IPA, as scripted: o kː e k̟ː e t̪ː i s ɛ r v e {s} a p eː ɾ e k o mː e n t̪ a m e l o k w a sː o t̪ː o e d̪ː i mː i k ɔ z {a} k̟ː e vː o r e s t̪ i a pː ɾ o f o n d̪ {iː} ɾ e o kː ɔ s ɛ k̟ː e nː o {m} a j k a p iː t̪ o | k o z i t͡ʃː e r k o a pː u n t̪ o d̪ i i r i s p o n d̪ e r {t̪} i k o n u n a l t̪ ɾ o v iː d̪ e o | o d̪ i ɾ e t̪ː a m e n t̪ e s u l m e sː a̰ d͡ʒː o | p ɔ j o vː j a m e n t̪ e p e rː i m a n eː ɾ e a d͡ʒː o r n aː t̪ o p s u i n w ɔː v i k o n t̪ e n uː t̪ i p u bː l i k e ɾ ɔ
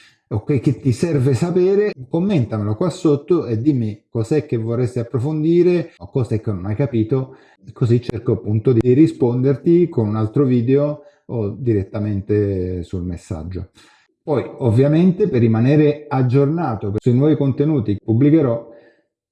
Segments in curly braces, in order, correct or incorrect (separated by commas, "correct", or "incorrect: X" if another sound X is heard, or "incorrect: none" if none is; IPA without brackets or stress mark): correct, incorrect: ɛ, correct, incorrect: n, correct